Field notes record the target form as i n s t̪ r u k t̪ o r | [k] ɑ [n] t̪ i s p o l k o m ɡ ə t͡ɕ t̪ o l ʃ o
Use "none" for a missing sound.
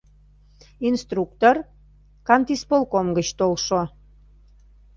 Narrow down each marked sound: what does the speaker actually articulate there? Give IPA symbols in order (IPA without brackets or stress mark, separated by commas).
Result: k, n